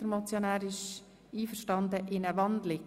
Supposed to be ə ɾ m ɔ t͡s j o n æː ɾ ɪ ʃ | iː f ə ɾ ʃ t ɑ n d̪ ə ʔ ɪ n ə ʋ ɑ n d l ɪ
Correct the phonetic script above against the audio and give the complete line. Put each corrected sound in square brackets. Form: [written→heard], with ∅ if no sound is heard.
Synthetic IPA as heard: ə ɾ m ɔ t͡s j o n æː ɾ ɪ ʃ | iː f ə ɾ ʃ t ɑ n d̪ ə ʔ ɪ n ə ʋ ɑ n d l ɪ